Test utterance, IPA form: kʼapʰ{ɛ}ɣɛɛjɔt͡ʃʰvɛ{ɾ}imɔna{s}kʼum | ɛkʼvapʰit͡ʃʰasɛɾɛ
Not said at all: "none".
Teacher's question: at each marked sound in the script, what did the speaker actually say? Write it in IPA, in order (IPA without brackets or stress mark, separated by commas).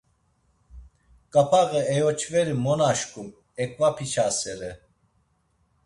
a, ɾ, ʃ